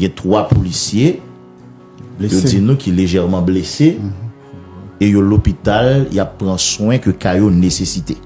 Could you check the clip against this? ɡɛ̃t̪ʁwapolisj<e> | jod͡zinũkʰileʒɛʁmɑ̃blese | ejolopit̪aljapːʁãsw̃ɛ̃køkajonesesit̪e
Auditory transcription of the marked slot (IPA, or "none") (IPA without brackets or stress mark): e